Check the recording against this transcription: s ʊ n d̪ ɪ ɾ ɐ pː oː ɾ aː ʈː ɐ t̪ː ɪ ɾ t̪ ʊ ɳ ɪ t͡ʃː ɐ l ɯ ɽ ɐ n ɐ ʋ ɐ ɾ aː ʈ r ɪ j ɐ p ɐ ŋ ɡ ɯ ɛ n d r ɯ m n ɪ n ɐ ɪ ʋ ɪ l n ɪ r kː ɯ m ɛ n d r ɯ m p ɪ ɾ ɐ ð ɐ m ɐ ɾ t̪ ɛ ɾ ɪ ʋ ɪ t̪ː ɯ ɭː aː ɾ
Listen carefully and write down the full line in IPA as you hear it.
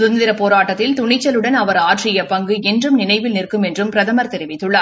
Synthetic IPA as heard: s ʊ n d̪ ɪ ɾ ɐ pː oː ɾ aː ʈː ɐ t̪ː ɪ l t̪ ʊ ɳ ɪ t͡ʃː ɐ l ɯ ɽ ɐ n ɐ ʋ ɐ ɾ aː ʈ r ɪ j ɐ p ɐ ŋ ɡ ɯ ɛ n d r ɯ m n ɪ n ɐ ɪ ʋ ɪ l n ɪ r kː ɯ m ɛ n d r ɯ m p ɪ ɾ ɐ ð ɐ m ɐ ɾ t̪ ɛ ɾ ɪ ʋ ɪ t̪ː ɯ ɭː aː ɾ